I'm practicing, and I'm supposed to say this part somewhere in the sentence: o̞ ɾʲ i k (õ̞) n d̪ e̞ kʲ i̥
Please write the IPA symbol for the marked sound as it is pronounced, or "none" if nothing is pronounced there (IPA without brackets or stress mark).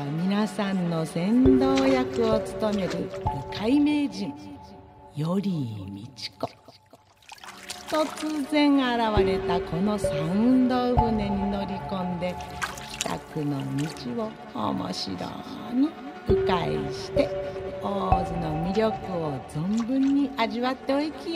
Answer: õ̞